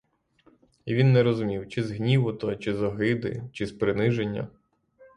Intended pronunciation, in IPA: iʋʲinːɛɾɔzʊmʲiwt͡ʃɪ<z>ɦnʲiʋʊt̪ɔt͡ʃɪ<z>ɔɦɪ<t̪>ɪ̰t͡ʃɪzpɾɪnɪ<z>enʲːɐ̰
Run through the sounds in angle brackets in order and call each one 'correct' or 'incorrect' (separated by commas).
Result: correct, correct, incorrect, incorrect